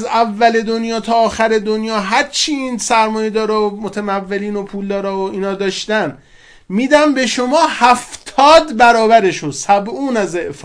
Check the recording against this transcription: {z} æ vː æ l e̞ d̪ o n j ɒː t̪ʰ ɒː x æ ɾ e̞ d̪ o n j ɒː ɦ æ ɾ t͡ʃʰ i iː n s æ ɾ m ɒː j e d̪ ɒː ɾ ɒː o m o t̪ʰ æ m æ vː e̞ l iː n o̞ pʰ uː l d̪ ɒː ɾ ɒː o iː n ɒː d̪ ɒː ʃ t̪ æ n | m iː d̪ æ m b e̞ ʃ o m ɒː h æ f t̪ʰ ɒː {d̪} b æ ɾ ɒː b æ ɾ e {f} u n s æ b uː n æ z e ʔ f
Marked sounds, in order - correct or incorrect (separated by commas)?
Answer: correct, correct, incorrect